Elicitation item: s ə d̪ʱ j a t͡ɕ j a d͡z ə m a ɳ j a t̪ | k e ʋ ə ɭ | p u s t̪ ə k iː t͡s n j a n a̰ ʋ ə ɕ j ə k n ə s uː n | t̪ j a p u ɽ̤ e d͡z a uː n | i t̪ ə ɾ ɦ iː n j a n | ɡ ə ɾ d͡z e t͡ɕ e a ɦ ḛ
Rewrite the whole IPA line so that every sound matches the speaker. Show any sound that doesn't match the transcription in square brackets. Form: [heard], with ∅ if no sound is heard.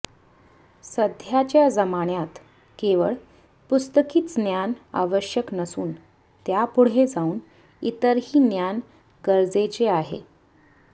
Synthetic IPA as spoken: s ə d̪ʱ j a t͡ɕ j a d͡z ə m a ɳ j a t̪ | k e ʋ ə ɭ | p u s t̪ ə k iː t͡s n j a n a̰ ʋ ə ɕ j ə k n ə s uː n | t̪ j a p u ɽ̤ e d͡z a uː n | i t̪ ə ɾ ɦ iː n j a n | ɡ ə ɾ d͡z e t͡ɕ e a ɦ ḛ